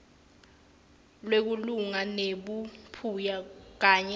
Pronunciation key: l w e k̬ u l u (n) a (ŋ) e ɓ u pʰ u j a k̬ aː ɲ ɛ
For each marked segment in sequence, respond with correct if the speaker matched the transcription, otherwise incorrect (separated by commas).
incorrect, incorrect